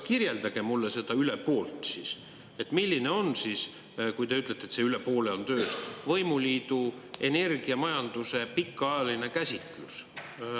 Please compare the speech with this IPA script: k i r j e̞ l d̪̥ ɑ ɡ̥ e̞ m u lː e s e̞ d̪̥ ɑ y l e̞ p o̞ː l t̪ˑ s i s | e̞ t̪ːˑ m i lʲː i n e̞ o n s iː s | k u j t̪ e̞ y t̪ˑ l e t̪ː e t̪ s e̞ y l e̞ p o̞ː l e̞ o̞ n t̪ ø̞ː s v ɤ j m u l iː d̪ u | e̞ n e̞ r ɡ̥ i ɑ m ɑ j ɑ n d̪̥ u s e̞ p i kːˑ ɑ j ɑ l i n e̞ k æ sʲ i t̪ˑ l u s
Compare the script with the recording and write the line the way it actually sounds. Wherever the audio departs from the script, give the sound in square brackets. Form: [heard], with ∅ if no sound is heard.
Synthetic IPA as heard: k i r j e̞ l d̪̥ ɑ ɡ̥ e̞ m u lː e s e̞ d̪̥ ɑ y l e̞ p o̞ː l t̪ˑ s i s | e̞ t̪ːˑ m i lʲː i n e̞ o n s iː s | k u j t̪ e̞ y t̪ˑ l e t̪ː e t̪ s e̞ y l e̞ p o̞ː l e̞ o̞ n t̪ ø̞ː s v ɤ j m u l iː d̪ u | e̞ n e̞ r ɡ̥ i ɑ m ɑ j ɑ n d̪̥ u s e̞ p i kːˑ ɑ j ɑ l i n e̞ k æ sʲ i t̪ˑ l u s